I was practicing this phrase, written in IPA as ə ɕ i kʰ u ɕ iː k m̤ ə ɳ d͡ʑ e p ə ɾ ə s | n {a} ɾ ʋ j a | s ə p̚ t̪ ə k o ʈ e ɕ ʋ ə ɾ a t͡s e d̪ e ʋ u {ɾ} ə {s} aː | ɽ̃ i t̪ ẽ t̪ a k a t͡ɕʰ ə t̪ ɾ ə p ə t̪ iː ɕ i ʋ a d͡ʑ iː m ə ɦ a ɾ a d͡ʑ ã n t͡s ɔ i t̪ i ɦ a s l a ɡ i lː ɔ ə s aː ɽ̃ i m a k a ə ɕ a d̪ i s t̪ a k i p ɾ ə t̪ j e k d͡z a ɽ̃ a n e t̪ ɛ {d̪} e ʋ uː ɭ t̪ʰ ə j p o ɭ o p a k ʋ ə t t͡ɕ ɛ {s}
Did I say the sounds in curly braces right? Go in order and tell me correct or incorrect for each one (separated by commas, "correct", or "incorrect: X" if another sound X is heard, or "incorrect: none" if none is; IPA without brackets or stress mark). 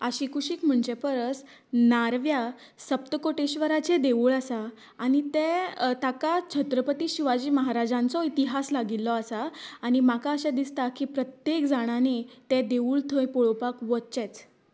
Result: correct, incorrect: ɭ, correct, correct, incorrect: t͡s